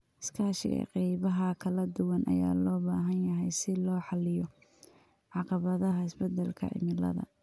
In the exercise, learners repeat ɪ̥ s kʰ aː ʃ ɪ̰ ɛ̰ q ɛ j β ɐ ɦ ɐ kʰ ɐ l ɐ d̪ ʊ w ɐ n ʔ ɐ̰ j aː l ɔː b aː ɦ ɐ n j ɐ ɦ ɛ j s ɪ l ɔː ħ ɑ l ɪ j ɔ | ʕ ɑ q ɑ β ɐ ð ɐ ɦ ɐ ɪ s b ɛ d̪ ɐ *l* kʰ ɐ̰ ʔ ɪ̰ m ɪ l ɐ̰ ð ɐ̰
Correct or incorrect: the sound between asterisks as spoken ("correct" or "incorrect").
correct